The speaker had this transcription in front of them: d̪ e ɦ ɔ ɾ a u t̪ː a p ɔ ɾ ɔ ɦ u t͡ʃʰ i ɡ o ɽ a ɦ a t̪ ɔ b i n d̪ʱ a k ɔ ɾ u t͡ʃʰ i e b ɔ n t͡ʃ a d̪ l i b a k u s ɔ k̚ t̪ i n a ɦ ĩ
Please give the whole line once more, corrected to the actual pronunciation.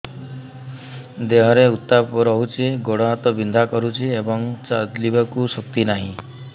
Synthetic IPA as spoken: d̪ e ɦ ɔ ɾ e u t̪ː a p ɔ ɾ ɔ ɦ u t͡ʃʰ i ɡ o ɽ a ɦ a t̪ ɔ b i n d̪ʱ a k ɔ ɾ u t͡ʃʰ i e b ɔ ŋ t͡ʃ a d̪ l i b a k u s ɔ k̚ t̪ i n a ɦ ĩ